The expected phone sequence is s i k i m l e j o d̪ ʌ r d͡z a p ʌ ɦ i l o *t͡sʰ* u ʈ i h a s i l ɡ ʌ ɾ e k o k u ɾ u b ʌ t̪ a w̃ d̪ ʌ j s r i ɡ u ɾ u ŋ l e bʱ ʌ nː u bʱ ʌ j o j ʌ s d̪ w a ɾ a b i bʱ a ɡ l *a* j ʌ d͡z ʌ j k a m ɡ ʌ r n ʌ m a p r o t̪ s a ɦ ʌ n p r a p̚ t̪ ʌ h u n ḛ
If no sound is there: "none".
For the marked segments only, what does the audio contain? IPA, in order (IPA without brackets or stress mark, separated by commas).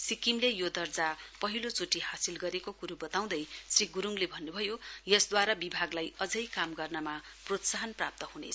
t͡s, a